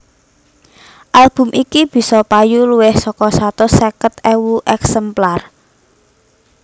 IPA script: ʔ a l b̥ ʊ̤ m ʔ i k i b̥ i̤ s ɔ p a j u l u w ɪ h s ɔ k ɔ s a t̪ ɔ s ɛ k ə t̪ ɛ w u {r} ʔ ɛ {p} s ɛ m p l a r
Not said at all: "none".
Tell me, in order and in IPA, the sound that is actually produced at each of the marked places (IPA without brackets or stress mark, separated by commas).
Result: none, k